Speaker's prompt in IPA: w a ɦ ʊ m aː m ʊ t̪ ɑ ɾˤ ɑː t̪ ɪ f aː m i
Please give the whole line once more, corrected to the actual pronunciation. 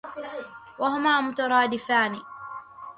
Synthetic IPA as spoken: w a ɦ ʊ m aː m ʊ t̪ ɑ ɾˤ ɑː d̪ ɪ f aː n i